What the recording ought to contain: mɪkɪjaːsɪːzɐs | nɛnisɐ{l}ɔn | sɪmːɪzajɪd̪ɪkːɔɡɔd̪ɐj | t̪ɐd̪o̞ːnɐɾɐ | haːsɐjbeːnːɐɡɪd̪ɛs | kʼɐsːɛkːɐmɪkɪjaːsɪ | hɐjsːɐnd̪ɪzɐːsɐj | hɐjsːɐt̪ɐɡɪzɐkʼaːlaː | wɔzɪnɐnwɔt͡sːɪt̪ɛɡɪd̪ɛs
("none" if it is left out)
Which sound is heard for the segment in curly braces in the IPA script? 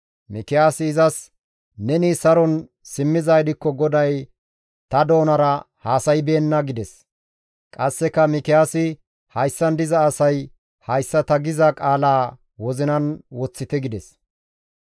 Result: ɾ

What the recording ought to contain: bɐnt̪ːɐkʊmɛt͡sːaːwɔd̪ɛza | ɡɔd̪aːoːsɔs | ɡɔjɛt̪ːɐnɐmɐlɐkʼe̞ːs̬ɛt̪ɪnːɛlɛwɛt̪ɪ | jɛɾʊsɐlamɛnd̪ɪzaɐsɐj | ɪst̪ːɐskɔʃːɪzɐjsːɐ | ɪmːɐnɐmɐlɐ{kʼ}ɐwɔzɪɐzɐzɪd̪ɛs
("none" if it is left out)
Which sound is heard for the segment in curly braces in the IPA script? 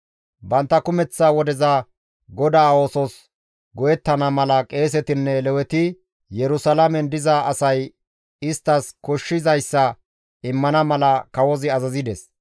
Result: k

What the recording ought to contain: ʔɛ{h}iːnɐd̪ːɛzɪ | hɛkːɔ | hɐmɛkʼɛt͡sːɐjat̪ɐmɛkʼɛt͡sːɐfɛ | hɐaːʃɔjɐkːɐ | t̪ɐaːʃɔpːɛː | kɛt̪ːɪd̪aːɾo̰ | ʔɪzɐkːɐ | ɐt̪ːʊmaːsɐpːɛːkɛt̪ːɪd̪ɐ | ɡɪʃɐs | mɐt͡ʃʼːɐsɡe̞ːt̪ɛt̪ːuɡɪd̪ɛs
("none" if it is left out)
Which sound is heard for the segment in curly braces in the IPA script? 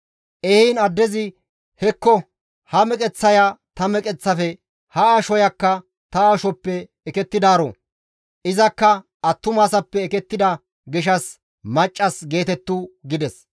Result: h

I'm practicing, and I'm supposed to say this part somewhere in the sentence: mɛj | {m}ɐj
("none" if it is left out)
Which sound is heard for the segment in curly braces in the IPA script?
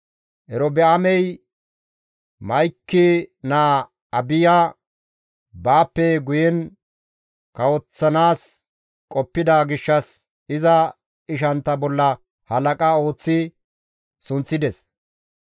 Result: m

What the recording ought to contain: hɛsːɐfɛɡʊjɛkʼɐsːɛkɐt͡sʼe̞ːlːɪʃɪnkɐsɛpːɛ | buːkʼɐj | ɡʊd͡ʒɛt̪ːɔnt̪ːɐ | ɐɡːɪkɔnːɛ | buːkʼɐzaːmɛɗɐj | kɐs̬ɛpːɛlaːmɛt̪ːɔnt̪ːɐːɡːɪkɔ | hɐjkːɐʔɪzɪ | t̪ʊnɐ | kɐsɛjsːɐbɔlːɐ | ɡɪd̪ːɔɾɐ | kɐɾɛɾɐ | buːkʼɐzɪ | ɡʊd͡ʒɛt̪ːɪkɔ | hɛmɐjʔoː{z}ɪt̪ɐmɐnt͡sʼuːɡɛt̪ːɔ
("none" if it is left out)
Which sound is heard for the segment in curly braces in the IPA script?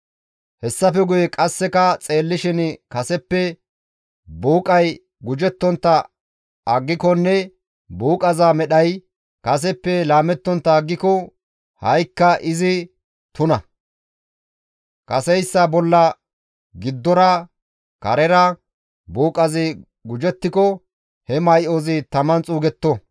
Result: z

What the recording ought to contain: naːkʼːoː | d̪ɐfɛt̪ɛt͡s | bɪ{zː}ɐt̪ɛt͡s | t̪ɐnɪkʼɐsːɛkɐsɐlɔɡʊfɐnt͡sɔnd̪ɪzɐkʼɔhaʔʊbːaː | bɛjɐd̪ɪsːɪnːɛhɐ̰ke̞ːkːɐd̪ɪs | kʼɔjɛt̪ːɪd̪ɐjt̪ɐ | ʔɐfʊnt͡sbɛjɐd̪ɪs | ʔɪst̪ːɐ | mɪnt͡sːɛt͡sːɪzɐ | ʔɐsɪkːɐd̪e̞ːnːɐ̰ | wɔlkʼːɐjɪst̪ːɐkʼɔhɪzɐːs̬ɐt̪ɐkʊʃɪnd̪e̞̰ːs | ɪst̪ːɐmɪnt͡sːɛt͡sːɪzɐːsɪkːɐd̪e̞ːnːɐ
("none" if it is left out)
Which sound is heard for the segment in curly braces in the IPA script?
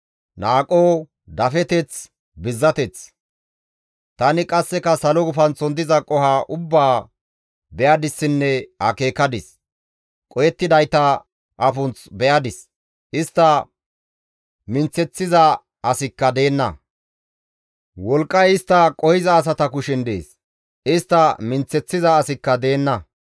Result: zː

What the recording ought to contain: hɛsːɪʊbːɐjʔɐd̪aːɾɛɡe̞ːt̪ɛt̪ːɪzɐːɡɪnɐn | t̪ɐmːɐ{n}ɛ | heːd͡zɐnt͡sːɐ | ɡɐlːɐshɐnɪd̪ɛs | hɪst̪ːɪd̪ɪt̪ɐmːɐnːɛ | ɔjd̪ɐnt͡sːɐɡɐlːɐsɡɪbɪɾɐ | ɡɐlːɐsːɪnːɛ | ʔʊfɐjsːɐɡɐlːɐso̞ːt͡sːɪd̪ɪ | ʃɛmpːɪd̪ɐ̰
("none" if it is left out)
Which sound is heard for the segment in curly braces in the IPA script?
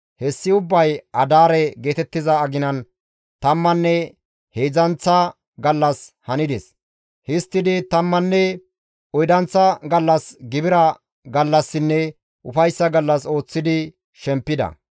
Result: nː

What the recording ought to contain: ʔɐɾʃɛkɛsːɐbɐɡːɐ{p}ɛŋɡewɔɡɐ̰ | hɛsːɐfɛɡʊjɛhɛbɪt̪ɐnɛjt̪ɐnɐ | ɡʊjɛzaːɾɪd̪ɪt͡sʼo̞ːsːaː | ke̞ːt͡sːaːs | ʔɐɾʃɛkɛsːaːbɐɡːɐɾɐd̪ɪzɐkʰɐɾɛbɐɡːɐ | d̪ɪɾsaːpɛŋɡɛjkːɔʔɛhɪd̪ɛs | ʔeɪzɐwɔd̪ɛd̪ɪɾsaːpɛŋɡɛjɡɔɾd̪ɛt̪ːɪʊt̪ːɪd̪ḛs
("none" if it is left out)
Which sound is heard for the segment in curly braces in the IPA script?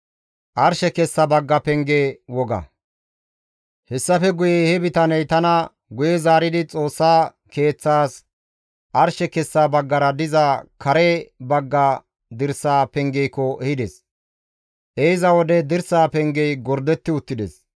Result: p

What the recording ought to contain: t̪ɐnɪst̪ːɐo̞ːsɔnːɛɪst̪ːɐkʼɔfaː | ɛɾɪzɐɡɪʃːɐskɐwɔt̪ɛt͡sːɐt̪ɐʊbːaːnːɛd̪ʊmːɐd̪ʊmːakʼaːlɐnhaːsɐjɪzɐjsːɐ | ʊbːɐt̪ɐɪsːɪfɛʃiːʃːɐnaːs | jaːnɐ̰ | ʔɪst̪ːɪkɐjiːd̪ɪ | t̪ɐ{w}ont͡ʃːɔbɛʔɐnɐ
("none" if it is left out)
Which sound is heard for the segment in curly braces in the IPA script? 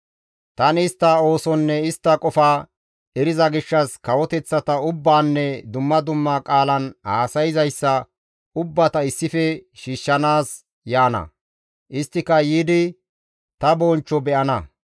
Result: b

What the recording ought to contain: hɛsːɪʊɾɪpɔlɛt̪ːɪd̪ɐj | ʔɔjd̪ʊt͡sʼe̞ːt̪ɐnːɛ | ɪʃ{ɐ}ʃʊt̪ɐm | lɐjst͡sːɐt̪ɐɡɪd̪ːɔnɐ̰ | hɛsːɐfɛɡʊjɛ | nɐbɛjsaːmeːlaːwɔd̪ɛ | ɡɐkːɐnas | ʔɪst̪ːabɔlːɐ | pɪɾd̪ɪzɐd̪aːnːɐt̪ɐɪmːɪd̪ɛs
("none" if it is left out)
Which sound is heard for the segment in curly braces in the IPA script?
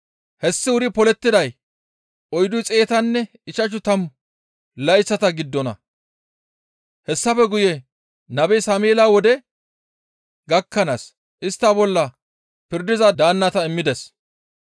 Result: ɐ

